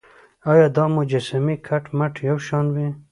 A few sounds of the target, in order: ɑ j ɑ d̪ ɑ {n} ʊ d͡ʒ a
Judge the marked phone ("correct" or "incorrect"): incorrect